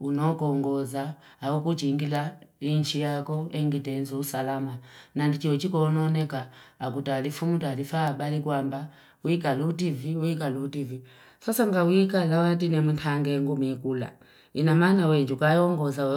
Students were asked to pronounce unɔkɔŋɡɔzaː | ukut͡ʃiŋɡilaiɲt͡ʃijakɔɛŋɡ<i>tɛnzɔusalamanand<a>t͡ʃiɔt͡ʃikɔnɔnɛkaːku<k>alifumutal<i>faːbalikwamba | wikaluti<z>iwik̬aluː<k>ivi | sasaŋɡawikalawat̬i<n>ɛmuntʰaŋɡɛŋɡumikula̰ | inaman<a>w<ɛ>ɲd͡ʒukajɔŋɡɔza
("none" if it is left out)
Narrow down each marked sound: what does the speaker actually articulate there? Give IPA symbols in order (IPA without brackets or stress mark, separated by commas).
i, i, t, i, v, t, n, a, ɛ